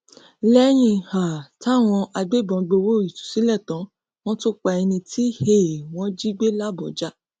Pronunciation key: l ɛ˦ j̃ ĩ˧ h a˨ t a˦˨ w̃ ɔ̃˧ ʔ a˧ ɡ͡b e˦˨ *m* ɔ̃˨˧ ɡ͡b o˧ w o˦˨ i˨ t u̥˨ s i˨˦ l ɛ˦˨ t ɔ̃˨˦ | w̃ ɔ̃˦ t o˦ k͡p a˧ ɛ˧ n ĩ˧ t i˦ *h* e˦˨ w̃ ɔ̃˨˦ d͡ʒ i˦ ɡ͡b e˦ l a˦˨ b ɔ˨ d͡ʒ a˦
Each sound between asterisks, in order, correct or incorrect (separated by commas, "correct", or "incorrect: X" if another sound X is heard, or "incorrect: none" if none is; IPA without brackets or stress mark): incorrect: b, correct